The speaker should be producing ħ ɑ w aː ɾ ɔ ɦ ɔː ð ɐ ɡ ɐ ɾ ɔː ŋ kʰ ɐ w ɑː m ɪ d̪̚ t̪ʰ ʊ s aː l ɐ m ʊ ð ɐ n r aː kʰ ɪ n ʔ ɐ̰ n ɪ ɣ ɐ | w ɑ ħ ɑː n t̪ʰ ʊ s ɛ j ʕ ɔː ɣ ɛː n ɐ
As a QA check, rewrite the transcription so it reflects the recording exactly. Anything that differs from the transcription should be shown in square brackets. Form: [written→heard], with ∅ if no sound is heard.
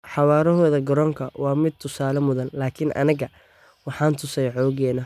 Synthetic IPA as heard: ħ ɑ w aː ɾ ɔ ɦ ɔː ð ɐ ɡ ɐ ɾ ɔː ŋ kʰ ɐ w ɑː m ɪ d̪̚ t̪ʰ ʊ s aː l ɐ m ʊ ð ɐ n [r→l] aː kʰ ɪ n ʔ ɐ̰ n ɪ ɣ ɐ | w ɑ ħ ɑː n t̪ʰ ʊ s ɛ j ʕ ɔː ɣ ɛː n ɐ